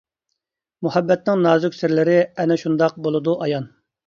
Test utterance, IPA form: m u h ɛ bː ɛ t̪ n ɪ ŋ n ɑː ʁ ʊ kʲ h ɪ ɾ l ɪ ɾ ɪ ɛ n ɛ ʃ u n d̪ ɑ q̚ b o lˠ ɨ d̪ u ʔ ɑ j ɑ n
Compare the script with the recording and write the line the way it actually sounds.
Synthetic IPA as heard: m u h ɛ bː ɛ t̪ n ɪ ŋ n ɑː z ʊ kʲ s ɪ ɾ l ɪ ɾ ɪ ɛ n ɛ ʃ u n d̪ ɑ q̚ b o lˠ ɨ d̪ u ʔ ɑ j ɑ n

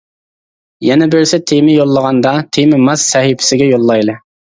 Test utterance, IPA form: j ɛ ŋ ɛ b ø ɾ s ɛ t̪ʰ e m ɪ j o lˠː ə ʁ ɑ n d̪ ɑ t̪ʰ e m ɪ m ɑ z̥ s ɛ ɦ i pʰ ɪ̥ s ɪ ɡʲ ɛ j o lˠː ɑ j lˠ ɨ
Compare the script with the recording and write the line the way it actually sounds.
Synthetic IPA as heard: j ɛ n ɛ b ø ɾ s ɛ t̪ʰ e m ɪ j o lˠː ə ʁ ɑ n d̪ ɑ t̪ʰ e m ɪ m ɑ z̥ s ɛ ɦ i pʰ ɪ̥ s ɪ ɡʲ ɛ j o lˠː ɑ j lˠ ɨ

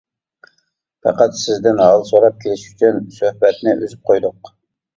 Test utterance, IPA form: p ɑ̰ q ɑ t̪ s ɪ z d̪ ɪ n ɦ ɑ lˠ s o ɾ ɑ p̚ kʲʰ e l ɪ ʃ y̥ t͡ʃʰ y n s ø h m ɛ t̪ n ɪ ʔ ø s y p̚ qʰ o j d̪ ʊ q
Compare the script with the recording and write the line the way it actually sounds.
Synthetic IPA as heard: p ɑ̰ q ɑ t̪ s ɪ z d̪ ɪ n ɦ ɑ lˠ s o ɾ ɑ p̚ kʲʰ e l ɪ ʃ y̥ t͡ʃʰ y n s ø h b ɛ t̪ n ɪ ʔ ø z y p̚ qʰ o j d̪ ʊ q

